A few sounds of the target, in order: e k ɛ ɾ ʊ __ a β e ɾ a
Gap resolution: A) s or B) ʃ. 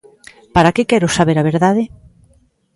A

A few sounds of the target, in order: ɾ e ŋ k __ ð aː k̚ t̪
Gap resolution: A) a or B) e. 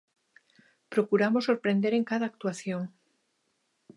A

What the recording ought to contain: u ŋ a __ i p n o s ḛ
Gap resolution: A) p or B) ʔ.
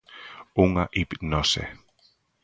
B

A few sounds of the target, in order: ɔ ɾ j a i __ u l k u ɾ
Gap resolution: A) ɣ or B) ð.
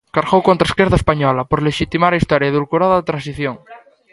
B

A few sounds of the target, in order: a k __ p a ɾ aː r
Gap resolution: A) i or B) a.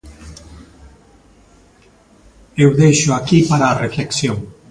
A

